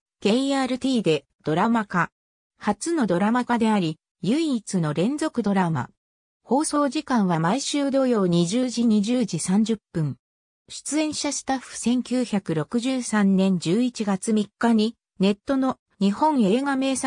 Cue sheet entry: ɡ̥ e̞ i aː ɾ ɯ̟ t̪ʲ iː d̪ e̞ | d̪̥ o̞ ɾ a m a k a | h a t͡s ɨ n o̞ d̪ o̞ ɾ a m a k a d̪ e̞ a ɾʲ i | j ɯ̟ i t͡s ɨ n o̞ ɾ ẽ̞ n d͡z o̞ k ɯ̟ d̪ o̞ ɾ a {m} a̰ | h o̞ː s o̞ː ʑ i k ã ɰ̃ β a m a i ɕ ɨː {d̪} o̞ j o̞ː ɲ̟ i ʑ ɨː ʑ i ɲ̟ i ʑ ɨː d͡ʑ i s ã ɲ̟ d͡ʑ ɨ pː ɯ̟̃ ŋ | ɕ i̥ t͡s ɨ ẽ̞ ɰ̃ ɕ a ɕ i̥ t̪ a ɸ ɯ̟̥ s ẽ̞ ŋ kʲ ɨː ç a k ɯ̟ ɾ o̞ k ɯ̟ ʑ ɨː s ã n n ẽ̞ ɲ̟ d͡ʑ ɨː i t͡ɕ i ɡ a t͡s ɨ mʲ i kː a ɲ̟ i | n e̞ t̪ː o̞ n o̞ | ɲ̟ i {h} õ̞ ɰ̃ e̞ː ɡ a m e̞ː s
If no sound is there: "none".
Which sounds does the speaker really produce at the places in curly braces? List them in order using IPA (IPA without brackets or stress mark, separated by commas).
m, d̪, h